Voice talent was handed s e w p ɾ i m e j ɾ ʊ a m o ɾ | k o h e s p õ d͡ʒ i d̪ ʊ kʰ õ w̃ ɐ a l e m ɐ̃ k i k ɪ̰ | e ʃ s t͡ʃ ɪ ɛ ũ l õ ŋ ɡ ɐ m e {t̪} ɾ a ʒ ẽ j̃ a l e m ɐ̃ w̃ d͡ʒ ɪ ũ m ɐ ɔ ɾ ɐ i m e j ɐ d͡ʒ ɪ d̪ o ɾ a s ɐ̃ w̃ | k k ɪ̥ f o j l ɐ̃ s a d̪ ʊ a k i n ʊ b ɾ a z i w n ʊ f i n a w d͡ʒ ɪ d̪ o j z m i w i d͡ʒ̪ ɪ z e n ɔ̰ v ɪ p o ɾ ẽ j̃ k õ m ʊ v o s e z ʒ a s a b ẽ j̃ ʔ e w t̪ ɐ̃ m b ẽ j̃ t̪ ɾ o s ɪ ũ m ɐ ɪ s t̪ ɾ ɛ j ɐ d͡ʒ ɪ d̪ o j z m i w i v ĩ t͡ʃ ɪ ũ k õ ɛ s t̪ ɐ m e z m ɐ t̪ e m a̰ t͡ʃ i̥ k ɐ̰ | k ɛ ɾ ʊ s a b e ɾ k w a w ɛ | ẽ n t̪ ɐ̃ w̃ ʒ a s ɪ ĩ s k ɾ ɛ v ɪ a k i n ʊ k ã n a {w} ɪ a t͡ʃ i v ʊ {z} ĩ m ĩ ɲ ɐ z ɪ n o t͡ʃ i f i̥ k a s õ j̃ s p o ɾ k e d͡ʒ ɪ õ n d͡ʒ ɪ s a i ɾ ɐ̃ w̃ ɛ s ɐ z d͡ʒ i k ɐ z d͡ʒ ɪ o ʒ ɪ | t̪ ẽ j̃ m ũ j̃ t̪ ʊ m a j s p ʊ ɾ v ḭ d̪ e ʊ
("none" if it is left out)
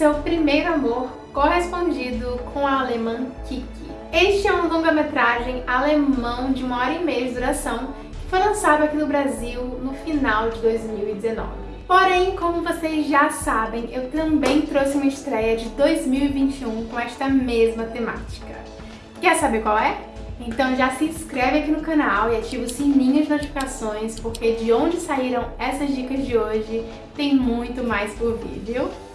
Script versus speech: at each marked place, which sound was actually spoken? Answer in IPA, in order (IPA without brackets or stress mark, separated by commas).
t̪, w, s